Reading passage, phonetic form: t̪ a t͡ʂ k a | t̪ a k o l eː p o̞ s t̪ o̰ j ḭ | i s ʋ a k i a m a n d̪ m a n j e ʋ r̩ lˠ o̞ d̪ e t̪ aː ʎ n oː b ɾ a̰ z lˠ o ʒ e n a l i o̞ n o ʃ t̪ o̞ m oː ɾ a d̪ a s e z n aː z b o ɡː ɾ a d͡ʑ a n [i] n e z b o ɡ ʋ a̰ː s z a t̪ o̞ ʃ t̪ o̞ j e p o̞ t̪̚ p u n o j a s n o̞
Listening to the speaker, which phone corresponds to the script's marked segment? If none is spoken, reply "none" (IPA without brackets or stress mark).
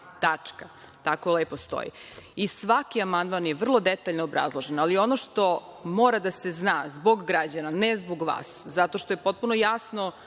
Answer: a